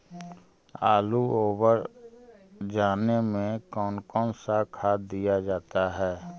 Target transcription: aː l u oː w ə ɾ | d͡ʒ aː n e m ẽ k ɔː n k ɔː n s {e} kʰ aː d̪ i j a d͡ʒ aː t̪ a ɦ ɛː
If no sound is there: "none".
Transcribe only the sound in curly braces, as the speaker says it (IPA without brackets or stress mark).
a